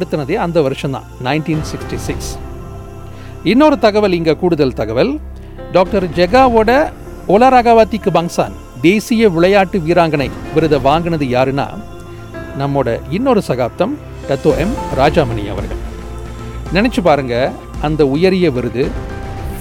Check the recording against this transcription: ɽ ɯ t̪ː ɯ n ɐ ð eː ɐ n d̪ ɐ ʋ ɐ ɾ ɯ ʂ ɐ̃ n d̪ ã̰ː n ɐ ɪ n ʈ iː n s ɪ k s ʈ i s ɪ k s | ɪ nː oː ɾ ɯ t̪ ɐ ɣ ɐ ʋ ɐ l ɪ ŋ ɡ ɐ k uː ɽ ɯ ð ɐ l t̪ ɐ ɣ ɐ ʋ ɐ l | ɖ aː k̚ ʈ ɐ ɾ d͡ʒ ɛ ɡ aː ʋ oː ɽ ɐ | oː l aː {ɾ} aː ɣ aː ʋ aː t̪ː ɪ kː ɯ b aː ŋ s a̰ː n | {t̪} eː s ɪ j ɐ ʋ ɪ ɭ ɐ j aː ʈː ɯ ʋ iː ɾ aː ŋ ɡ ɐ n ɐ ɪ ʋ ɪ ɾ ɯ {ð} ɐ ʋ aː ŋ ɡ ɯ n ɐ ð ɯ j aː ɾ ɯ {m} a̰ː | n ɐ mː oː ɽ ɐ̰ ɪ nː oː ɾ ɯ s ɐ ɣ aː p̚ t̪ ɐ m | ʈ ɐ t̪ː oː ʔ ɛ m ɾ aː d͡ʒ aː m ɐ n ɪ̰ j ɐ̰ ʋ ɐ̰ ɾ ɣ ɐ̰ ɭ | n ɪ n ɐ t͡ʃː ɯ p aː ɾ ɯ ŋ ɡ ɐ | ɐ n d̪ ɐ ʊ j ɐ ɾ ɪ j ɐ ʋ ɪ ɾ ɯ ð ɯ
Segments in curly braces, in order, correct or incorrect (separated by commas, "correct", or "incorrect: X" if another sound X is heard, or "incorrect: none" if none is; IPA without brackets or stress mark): correct, incorrect: d̪, correct, incorrect: n